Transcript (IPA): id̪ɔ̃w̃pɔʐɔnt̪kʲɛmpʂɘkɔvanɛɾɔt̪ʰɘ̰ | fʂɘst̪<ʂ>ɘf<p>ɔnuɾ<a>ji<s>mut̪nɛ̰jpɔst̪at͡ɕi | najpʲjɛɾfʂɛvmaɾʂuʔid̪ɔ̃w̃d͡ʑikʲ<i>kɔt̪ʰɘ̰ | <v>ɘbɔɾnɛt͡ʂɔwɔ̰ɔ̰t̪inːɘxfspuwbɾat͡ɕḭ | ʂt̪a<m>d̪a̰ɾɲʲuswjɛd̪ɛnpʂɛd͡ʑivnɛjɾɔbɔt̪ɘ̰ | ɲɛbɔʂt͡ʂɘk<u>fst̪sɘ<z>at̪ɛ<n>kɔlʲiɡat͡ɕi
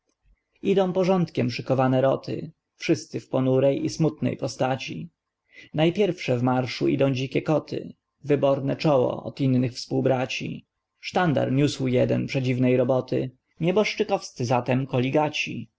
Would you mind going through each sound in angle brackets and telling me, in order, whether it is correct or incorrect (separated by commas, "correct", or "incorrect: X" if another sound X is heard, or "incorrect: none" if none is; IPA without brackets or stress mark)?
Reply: incorrect: s, correct, incorrect: ɛ, correct, incorrect: ɛ, correct, incorrect: n, incorrect: ɔ, correct, incorrect: m